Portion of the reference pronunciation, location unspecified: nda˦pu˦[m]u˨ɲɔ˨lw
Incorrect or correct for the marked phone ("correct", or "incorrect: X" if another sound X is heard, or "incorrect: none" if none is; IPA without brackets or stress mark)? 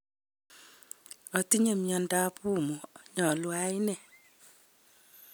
correct